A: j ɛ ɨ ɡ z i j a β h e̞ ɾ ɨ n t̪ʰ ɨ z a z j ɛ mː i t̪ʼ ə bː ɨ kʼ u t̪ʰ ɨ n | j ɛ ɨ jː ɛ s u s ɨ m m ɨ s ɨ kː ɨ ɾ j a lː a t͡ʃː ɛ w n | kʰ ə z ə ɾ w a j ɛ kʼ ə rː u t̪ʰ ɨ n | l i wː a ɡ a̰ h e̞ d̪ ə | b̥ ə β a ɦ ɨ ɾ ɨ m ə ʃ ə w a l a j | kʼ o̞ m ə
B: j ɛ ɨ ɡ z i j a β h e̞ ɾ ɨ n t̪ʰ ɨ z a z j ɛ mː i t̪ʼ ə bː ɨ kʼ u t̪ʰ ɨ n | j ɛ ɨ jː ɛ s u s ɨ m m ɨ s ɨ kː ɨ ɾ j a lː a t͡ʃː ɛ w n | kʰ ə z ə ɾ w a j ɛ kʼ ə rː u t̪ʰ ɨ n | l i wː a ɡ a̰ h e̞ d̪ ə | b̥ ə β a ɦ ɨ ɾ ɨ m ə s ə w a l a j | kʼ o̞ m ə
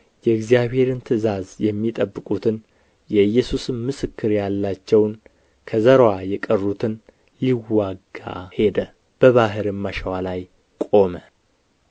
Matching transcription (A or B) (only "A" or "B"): A